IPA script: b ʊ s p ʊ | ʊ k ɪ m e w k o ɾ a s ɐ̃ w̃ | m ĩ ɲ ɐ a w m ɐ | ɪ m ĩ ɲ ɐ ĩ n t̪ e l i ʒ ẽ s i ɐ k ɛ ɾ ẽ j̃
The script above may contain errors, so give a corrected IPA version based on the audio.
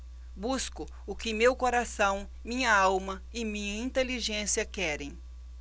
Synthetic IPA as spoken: b u s k ʊ | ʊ k ɪ m e w k o ɾ a s ɐ̃ w̃ | m ĩ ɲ ɐ a w m ɐ | ɪ m ĩ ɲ ɐ ĩ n t̪ e l i ʒ ẽ s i ɐ k ɛ ɾ ẽ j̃